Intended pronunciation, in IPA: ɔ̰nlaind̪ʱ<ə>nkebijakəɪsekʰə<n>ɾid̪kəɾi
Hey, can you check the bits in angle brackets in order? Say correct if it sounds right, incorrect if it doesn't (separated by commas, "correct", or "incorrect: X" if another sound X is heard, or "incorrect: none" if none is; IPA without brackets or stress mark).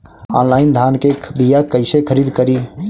incorrect: a, incorrect: none